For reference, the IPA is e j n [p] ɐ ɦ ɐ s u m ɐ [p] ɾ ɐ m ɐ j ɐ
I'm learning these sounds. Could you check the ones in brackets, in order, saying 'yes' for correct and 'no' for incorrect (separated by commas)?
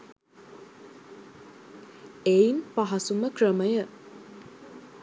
yes, no